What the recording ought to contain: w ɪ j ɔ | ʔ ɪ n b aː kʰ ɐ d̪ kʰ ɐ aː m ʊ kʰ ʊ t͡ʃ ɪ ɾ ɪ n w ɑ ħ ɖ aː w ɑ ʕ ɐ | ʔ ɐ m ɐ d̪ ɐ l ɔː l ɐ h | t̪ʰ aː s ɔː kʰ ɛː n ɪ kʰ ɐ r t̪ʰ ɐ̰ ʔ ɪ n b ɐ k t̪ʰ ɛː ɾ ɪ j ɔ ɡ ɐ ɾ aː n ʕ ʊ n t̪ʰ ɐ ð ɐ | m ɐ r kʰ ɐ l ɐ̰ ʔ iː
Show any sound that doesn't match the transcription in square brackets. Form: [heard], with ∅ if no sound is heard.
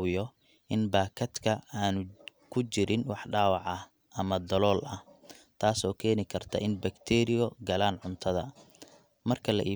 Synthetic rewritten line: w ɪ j ɔ | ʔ ɪ n b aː kʰ ɐ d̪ kʰ ɐ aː [n] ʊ kʰ ʊ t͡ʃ ɪ ɾ ɪ n w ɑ ħ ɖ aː w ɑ ʕ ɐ | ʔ ɐ m ɐ d̪ ɐ l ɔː l ɐ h | t̪ʰ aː s ɔː kʰ ɛː n ɪ kʰ ɐ r t̪ʰ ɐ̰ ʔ ɪ n b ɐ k t̪ʰ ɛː ɾ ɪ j ɔ ɡ ɐ [l] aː n ʕ ʊ n t̪ʰ ɐ ð ɐ | m ɐ r kʰ ɐ l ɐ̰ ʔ iː